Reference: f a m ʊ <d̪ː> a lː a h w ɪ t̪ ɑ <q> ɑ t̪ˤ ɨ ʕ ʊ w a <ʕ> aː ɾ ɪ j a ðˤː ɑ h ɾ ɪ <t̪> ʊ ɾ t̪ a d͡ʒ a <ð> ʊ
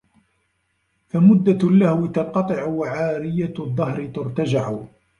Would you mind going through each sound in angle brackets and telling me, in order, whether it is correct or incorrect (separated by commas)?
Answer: correct, correct, correct, correct, incorrect